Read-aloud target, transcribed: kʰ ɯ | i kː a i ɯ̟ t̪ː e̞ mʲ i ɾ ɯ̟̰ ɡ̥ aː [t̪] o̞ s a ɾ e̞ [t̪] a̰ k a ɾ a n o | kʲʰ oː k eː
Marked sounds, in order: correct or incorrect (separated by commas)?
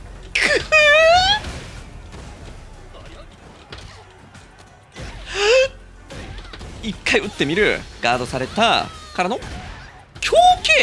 incorrect, correct